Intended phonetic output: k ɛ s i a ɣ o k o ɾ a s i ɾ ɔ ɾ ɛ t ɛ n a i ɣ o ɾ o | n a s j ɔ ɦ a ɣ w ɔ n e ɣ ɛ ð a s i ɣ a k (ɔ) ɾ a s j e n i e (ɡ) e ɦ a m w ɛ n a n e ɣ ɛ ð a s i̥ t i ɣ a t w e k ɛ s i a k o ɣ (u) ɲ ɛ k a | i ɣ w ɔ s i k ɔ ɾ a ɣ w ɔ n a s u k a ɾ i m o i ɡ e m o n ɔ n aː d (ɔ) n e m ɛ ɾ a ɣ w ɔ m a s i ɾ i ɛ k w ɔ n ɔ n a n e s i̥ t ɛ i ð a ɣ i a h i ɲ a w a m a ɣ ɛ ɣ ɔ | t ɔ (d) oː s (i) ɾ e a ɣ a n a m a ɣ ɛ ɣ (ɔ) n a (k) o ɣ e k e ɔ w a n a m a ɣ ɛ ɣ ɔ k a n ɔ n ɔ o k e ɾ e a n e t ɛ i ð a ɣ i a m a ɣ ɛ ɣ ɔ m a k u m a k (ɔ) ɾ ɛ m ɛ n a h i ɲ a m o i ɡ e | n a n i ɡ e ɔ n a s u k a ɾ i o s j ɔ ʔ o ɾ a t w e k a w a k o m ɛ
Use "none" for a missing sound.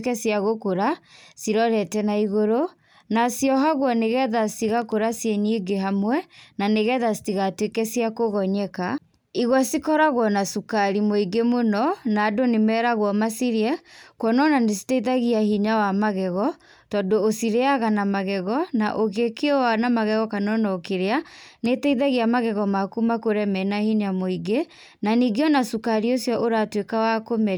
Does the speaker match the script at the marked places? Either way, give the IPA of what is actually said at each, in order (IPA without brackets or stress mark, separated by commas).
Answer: o, ɡ, ɔ, o, d, i, ɔ, ʔ, o